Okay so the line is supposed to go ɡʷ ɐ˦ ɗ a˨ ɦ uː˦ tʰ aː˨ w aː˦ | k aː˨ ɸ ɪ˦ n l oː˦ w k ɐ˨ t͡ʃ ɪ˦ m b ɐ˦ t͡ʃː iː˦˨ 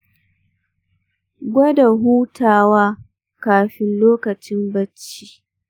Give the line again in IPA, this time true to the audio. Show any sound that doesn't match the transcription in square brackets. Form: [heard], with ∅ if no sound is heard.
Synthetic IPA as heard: ɡʷ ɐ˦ [d] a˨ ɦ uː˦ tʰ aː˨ w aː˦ | k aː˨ ɸ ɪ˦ n l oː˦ [∅] k ɐ˨ t͡ʃ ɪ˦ m b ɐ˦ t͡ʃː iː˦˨